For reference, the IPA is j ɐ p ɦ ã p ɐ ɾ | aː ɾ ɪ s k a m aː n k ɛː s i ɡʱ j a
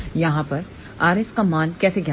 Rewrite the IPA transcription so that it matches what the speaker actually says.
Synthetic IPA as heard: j ɐ ɦ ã p ɐ ɾ | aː ɾ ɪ s k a m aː n k ɛː s e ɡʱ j a